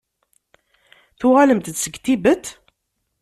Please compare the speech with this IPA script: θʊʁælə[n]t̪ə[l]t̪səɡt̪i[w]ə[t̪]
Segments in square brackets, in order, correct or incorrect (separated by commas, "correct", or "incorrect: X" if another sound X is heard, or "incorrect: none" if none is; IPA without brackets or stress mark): incorrect: m, incorrect: none, incorrect: b, correct